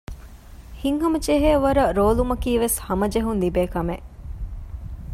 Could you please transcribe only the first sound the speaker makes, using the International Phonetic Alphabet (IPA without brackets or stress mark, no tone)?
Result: h